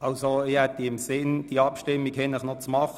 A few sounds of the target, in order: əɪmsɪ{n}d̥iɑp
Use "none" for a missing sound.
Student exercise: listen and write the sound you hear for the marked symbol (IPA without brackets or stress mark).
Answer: n